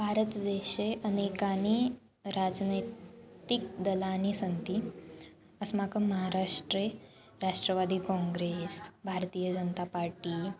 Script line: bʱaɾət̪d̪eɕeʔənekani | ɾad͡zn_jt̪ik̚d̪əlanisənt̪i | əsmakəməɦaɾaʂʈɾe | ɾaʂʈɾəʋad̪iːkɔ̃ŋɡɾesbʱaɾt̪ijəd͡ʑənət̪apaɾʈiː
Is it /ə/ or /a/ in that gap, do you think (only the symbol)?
ə